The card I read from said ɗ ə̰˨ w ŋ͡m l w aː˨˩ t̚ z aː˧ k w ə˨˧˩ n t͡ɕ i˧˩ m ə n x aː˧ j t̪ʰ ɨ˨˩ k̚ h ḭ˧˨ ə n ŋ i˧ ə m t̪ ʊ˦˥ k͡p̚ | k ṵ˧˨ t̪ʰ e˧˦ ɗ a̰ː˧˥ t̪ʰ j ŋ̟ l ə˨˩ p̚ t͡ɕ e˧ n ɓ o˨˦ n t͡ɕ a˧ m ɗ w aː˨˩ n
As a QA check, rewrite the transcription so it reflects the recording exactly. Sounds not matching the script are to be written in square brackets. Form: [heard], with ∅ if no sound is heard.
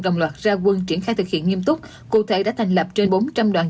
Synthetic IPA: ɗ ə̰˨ w ŋ͡m l w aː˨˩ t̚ z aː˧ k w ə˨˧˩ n t͡ɕ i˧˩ [∅] ə n x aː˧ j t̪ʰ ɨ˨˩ k̚ h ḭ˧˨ ə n ŋ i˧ ə m t̪ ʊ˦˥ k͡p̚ | k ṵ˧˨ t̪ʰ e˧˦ ɗ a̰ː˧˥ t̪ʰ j ŋ̟ l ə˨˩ p̚ t͡ɕ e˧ n ɓ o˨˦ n t͡ɕ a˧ m ɗ w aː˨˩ n